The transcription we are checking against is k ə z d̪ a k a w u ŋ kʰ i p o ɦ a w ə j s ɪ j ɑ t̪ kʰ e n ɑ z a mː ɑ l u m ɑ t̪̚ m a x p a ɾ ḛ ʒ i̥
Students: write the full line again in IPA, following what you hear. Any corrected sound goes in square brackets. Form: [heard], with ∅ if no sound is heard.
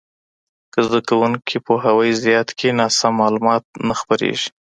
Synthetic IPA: k ə z d̪ a k a w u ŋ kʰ i p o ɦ a w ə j [z] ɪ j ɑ t̪ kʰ e n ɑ [s] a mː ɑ l u m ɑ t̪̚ [n] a x p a ɾ ḛ ʒ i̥